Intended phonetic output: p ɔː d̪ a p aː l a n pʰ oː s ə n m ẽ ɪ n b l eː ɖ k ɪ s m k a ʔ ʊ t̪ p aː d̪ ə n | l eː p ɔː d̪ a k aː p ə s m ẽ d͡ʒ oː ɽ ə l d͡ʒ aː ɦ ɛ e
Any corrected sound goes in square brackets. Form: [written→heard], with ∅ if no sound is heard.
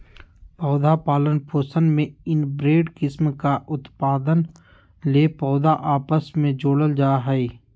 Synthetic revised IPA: p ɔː d̪ a p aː l [a→ə] n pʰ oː s ə n m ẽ ɪ n b [l→ɾ] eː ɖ k ɪ s m k a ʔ ʊ t̪ p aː d̪ ə n | l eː p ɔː d̪ a [k→ʔ] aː p ə s m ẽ d͡ʒ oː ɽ ə l d͡ʒ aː ɦ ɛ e